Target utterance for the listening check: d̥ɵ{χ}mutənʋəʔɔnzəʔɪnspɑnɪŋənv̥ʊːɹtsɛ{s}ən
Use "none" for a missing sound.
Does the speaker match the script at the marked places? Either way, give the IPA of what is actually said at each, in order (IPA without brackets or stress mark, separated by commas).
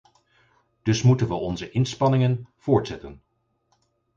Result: s, t